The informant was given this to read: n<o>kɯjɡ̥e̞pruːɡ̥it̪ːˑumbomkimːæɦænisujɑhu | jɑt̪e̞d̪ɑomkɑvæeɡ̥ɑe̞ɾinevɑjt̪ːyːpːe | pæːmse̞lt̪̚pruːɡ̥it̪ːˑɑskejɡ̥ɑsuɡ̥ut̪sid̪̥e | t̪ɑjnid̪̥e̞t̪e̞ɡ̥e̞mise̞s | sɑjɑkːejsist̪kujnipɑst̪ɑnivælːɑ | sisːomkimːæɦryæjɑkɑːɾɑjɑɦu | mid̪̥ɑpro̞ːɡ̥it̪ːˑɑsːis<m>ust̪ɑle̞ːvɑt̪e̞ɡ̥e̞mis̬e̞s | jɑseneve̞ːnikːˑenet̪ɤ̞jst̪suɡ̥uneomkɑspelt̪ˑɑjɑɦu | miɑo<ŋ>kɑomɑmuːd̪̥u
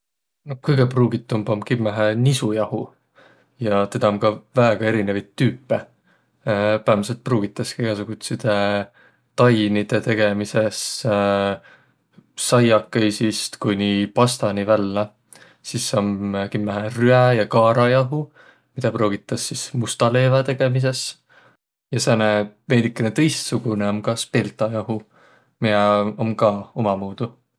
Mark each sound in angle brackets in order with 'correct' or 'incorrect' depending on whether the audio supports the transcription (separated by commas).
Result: correct, correct, incorrect